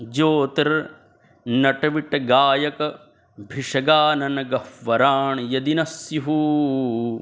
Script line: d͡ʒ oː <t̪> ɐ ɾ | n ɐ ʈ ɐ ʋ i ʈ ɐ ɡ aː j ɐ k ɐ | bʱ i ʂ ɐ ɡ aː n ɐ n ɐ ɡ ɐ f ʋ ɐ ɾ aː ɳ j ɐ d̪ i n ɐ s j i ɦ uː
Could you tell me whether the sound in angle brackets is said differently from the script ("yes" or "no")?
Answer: no